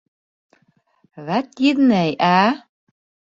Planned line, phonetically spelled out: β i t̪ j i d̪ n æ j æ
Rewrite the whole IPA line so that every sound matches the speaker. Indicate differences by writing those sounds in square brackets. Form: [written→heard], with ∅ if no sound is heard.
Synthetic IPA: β [i→æ] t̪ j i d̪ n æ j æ